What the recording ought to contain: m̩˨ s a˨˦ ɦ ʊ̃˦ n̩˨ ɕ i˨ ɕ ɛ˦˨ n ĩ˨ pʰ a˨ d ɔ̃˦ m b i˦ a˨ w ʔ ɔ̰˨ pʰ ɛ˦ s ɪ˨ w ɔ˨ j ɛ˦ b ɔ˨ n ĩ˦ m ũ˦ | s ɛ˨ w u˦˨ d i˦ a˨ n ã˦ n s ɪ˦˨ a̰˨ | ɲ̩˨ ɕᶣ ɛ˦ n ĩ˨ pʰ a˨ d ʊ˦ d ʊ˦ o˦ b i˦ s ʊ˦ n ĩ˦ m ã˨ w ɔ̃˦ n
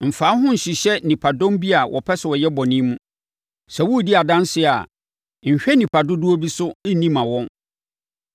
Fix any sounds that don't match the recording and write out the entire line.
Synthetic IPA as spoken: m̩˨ f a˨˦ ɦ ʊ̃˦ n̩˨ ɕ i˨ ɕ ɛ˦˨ n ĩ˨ pʰ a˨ d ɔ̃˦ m b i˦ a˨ w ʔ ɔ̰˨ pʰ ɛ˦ s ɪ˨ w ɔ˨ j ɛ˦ b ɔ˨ n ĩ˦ m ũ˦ | s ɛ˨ w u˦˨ d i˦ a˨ d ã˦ n s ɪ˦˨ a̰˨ | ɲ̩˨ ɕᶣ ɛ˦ n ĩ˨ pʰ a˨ d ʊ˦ d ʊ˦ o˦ b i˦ s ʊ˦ n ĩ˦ m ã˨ w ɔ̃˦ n